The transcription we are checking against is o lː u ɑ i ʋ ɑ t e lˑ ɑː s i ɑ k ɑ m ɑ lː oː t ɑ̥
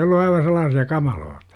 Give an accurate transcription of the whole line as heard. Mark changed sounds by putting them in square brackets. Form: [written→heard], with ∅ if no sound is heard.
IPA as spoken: o lː u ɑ i ʋ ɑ [t→s] e lˑ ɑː s i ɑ k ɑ m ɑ [lː→l] oː t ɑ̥